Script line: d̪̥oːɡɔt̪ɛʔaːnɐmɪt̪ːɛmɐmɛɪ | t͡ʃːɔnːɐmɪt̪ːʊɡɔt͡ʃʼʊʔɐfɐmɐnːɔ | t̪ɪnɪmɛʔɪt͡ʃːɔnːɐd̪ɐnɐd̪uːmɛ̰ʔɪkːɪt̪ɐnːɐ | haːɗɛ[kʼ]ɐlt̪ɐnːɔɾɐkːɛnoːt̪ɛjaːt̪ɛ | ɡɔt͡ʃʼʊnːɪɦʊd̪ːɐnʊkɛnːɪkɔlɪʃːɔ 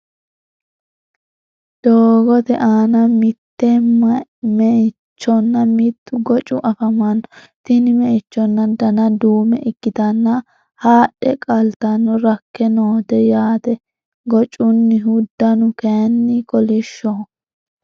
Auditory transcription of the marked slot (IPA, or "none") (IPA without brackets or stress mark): kʼ